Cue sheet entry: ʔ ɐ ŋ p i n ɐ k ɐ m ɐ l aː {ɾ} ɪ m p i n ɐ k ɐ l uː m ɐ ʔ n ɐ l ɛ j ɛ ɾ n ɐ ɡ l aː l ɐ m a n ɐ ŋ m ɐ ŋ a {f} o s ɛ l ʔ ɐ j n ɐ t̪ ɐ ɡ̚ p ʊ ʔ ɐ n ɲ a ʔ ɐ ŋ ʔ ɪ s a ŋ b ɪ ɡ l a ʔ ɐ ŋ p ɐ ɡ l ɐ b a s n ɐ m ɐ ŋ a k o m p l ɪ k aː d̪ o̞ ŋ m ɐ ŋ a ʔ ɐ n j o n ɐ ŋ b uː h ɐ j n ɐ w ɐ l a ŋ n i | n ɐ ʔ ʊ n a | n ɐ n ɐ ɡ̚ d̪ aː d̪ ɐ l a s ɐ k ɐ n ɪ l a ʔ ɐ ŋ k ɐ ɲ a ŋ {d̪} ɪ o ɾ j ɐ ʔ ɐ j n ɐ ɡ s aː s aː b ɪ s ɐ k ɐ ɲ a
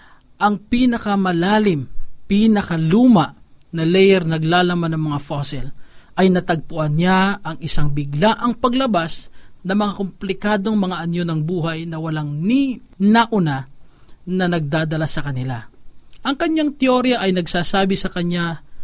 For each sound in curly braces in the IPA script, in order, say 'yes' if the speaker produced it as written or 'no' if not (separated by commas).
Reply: no, yes, no